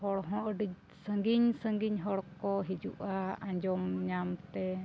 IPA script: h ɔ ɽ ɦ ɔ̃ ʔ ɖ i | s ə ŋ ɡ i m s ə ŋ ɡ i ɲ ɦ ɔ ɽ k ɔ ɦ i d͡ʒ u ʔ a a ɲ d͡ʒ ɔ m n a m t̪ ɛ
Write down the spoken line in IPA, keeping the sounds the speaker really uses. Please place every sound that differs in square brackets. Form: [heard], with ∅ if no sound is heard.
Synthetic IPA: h ɔ ɽ ɦ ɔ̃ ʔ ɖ i | s ə ŋ ɡ i [ɲ] s ə ŋ ɡ i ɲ ɦ ɔ ɽ k ɔ ɦ i d͡ʒ u ʔ a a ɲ d͡ʒ ɔ m [ɲ] a m t̪ ɛ